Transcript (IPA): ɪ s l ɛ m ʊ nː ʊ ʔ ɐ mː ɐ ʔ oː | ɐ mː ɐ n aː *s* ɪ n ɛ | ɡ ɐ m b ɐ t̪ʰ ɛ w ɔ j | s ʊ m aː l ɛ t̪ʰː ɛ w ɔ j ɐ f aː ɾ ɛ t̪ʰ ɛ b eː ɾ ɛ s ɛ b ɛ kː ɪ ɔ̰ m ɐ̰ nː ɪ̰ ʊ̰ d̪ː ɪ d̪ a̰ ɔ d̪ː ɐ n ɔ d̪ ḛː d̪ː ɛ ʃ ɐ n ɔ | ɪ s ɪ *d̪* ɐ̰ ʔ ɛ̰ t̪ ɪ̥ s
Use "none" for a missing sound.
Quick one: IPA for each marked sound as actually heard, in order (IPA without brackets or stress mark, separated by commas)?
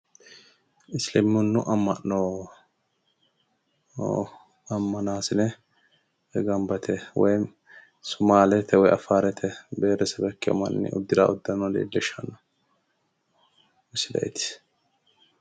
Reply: s, d̪